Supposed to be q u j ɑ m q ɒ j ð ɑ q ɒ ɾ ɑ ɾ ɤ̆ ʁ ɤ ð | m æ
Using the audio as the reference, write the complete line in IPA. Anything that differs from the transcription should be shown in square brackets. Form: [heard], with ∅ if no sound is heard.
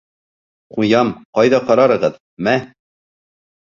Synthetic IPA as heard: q u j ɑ m q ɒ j ð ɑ q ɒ ɾ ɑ ɾ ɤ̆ ʁ ɤ ð | m æ

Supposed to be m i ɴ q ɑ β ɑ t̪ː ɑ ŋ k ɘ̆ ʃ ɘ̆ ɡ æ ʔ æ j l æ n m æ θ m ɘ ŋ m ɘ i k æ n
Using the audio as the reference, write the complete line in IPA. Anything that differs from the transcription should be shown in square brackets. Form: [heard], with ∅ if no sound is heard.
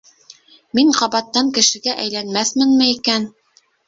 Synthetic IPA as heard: m i ɴ q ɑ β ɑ t̪ː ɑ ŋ k ɘ̆ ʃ ɘ̆ ɡ æ ʔ æ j l æ n m æ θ m ɘ [n] m ɘ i k æ n

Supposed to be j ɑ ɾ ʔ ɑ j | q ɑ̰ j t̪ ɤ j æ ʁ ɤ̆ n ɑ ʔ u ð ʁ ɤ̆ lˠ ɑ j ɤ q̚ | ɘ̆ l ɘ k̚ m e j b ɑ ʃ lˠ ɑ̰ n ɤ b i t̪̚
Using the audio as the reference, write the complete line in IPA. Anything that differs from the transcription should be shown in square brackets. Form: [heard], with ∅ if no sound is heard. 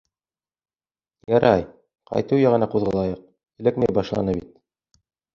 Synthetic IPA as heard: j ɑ ɾ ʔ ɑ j | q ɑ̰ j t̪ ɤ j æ ʁ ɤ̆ n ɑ [q] u ð ʁ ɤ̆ lˠ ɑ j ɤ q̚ | ɘ̆ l ɘ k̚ m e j b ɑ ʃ lˠ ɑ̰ n ɤ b i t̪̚

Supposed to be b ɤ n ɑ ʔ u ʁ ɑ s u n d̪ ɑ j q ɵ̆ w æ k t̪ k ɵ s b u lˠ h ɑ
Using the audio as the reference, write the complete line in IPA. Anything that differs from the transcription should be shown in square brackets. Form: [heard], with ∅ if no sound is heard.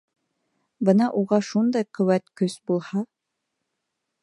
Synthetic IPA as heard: b ɤ n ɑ ʔ u ʁ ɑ [ʃ] u n d̪ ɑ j q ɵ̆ w æ [∅] t̪ k ɵ s b u lˠ h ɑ

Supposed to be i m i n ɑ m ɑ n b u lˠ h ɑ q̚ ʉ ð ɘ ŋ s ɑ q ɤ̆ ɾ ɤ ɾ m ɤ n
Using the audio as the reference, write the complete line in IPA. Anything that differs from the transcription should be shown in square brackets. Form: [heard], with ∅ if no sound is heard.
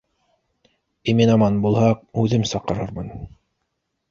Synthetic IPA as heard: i m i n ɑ m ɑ n b u lˠ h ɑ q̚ ʉ ð ɘ [m] s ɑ q ɤ̆ ɾ ɤ ɾ m ɤ n

